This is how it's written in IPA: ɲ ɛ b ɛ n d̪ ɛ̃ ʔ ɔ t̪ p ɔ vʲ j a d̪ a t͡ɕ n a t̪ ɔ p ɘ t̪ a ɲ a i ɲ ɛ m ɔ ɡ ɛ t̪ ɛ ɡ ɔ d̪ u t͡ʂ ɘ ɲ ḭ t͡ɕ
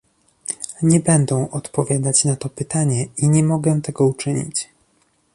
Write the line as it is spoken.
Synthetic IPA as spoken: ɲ ɛ b ɛ n d̪ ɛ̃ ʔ ɔ t̪ p ɔ vʲ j a d̪ a t͡ɕ n a t̪ ɔ p ɘ t̪ a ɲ ɛ i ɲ ɛ m ɔ ɡ ɛ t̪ ɛ ɡ ɔ u t͡ʂ ɘ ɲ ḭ t͡ɕ